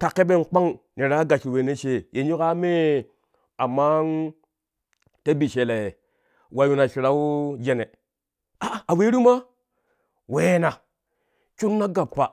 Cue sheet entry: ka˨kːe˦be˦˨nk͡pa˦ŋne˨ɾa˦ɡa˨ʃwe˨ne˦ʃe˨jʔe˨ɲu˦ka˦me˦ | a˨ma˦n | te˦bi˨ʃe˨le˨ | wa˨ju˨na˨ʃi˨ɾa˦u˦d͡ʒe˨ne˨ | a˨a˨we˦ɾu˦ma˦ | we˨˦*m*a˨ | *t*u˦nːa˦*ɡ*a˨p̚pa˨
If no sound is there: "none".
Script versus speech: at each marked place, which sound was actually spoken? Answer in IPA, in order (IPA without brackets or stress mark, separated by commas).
n, t͡ʃ, ɡ